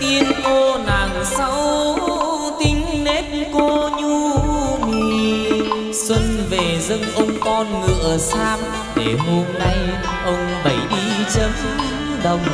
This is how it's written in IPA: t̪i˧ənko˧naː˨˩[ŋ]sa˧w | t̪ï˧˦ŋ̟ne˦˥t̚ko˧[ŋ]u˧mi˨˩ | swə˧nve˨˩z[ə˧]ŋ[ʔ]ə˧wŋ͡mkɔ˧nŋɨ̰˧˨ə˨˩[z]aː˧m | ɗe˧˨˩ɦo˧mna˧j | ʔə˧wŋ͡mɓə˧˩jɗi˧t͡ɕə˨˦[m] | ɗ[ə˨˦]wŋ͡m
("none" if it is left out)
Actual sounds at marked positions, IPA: ŋ, ɲ, ə˧, ʔ, s, m, ə˨˩

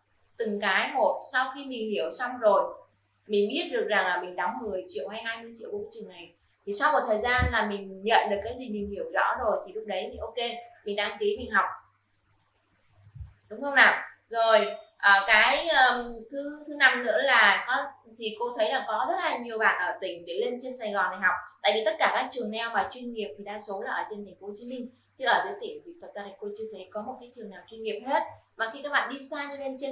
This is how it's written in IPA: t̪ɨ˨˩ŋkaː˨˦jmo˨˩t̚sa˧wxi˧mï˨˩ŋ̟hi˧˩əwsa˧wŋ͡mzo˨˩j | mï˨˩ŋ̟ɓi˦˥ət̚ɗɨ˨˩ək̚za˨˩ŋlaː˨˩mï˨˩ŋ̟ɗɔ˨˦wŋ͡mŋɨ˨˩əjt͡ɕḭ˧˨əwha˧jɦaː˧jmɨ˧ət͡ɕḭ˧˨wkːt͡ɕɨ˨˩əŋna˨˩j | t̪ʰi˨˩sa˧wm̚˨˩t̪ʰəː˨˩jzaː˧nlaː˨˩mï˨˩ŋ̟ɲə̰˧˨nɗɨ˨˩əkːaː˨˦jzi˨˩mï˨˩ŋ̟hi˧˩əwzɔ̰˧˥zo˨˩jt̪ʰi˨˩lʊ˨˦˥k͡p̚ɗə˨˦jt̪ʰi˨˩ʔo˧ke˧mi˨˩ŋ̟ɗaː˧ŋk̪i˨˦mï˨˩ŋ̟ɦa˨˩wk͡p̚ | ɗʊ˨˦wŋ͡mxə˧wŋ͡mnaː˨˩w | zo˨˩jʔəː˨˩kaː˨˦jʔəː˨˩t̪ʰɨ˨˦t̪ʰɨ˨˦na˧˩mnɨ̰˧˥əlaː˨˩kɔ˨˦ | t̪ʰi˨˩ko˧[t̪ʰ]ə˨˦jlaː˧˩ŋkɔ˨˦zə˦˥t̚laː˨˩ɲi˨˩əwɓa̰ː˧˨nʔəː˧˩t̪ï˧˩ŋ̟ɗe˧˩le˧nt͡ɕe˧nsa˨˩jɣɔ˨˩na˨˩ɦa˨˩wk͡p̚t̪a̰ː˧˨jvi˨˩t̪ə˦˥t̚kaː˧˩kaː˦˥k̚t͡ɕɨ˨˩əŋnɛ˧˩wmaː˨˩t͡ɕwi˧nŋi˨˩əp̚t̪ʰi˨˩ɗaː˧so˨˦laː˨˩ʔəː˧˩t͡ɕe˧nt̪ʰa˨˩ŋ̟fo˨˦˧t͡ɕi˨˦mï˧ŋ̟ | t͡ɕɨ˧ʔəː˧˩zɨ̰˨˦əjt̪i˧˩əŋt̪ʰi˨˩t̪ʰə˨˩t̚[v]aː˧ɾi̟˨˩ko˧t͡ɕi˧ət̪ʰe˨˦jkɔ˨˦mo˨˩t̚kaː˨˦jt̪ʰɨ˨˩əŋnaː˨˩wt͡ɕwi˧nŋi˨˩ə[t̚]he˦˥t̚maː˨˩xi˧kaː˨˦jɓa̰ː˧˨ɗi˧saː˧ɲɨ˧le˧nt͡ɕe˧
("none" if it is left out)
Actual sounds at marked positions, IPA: t̪ʰ, z, p̚

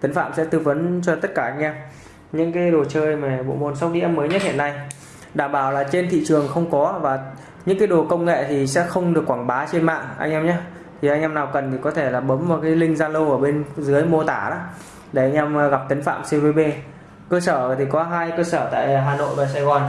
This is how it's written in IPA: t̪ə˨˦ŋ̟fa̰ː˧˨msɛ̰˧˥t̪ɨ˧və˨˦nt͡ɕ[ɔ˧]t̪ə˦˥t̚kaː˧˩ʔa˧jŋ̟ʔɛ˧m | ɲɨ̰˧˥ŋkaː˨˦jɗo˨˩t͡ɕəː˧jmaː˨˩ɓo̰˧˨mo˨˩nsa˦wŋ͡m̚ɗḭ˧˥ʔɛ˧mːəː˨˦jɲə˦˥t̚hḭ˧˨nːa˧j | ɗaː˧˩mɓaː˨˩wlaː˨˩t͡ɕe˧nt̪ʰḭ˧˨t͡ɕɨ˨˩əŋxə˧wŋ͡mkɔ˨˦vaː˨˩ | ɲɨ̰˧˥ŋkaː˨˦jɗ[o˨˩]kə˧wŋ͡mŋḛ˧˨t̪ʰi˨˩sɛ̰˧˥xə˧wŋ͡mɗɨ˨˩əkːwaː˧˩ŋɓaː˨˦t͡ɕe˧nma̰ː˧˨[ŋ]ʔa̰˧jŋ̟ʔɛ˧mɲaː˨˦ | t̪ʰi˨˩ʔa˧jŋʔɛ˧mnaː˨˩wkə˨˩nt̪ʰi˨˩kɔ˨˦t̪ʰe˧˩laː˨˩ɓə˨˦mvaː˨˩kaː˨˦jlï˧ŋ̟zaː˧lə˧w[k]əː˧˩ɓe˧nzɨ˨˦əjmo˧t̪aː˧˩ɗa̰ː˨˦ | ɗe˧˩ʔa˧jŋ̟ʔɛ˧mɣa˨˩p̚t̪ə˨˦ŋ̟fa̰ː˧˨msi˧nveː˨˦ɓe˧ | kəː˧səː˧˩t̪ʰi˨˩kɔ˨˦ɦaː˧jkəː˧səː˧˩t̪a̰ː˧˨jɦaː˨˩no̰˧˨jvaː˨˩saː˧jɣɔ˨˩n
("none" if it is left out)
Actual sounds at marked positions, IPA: ɔ˧, o˨˩, ŋ, ʔ

